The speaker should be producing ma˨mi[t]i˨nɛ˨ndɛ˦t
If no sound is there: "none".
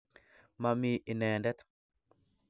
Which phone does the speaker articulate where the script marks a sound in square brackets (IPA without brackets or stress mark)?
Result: none